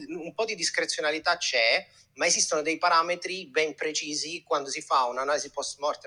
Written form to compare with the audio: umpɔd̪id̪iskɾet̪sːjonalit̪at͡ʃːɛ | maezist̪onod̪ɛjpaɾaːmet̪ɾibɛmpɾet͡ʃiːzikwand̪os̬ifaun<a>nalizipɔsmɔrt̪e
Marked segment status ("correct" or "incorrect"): correct